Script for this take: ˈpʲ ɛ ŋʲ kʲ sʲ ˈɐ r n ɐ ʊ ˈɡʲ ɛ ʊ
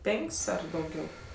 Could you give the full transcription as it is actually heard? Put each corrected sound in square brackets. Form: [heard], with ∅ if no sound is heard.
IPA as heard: ˈpʲ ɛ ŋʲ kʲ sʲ ˈɐ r [d] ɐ ʊ ˈɡʲ ɛ ʊ